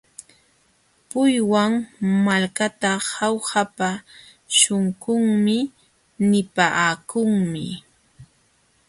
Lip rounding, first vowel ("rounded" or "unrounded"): rounded